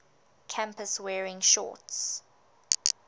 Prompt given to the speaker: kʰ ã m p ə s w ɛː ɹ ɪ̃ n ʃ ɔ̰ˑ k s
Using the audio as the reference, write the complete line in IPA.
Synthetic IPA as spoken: kʰ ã m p ə s w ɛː ɹ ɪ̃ ŋ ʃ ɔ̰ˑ t s